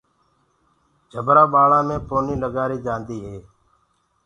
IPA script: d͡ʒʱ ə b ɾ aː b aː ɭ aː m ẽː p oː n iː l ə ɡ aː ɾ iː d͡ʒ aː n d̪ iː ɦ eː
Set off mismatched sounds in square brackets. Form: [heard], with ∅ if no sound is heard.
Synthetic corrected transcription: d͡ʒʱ ə b ɾ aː [ɓ] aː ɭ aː m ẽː p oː n iː l ə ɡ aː ɾ iː d͡ʒ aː n d̪ iː ɦ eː